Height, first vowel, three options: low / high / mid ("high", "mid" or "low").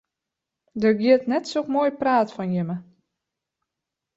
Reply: mid